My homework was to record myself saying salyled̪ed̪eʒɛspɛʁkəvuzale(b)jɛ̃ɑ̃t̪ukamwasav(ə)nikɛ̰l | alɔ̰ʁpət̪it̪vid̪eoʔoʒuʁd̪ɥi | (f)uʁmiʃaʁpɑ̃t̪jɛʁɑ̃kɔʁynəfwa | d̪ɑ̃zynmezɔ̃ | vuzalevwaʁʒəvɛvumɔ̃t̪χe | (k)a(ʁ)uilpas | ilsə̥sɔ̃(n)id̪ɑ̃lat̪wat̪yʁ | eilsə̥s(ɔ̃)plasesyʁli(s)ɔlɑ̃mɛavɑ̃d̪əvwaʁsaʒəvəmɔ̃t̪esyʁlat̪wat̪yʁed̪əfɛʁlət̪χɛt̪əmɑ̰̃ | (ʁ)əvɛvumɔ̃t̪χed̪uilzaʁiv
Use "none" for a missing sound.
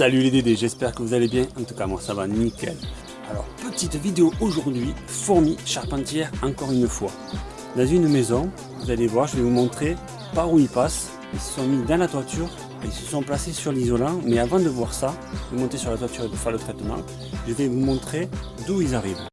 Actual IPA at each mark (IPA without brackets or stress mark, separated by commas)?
b, a, f, p, ʁ, m, ɔ̃, z, ʒ